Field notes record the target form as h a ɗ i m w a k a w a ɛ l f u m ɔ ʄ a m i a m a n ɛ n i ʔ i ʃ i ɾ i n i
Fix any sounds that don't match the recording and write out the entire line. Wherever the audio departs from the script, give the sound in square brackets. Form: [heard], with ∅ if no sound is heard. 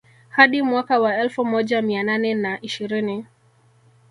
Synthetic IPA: h a ɗ i m w a k a w a ɛ l f u m ɔ ʄ a m i a [n] a n ɛ n [a] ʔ i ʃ i ɾ i n i